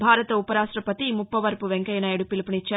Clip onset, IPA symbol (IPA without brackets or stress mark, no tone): bʱ